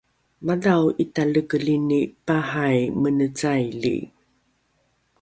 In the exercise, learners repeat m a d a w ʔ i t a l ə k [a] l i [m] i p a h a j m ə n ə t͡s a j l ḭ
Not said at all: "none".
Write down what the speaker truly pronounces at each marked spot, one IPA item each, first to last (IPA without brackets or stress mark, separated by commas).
ə, n